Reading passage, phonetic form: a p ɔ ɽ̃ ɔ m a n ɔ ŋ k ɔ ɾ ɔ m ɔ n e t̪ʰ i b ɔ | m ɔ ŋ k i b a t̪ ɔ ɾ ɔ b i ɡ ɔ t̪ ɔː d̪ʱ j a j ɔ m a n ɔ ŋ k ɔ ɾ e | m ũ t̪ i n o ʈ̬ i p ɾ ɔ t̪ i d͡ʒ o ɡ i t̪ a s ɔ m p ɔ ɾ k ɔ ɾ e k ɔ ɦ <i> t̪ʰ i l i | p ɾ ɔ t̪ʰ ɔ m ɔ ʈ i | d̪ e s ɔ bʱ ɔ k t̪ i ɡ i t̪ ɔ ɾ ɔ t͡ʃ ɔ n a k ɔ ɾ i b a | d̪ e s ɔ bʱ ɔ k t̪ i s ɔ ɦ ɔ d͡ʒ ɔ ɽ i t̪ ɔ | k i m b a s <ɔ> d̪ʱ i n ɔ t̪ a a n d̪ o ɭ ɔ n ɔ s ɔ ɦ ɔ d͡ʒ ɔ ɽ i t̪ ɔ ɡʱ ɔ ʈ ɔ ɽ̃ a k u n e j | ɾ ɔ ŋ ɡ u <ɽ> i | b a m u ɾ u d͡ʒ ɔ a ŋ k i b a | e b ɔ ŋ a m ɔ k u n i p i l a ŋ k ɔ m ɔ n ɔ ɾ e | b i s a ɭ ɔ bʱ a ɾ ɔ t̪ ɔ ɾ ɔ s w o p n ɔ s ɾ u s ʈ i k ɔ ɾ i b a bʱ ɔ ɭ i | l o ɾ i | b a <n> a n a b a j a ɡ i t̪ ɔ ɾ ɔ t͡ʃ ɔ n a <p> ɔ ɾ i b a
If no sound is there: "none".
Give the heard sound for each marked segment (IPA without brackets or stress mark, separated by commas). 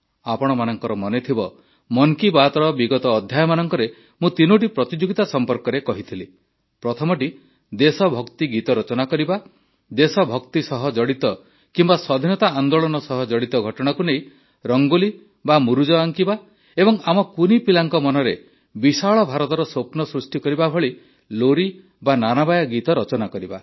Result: i, ɔ, l, n, k